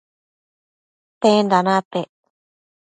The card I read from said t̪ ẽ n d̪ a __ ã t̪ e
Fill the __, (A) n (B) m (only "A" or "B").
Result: A